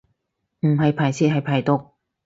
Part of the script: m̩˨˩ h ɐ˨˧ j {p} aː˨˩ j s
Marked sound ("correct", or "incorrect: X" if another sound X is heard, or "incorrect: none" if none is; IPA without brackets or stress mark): incorrect: pʰ